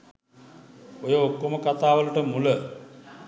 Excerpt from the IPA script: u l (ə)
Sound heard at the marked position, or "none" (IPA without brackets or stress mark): ə